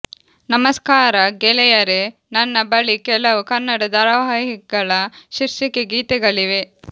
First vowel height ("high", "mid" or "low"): low